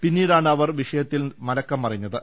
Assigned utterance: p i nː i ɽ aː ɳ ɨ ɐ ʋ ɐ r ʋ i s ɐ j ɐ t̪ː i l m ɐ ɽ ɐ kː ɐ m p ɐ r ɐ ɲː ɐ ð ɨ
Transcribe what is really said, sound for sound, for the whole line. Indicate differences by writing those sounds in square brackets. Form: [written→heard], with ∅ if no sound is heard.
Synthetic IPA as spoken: p i nː [i→iː] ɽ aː ɳ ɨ ɐ ʋ ɐ r ʋ i [s→ʂ] ɐ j ɐ t̪ː i l m ɐ [ɽ→l] ɐ kː ɐ m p ɐ r ɐ ɲː ɐ ð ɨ